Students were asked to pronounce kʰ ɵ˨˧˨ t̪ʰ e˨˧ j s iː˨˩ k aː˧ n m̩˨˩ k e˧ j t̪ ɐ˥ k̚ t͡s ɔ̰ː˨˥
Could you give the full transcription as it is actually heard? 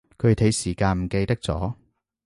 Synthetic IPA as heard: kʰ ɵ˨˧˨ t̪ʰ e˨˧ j s iː˨˩ k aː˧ n m̩˨˩ k e˧ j t̪ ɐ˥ k̚ t͡s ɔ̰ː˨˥